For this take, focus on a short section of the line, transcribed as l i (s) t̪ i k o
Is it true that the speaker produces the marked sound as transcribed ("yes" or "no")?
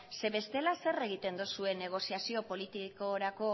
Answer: no